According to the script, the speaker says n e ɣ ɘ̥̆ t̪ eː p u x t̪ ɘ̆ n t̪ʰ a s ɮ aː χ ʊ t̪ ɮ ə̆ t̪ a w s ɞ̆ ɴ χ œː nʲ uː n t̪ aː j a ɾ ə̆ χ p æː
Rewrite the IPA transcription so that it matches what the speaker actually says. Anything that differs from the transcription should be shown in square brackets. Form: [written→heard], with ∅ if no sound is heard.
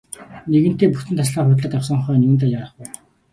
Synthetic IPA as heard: n e ɣ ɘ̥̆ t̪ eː p u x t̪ ɘ̆ n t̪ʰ a s ɮ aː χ ʊ t̪ ɮ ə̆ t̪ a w s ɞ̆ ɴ χ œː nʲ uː n t̪ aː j a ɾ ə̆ χ p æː